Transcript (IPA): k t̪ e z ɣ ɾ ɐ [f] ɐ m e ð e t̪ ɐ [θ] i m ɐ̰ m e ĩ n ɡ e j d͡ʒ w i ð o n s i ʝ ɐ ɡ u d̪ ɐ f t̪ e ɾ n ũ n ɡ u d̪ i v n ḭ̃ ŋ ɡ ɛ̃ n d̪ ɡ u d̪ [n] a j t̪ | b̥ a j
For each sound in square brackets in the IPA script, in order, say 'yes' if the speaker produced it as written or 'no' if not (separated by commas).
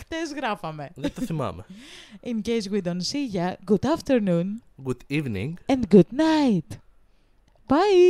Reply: yes, yes, yes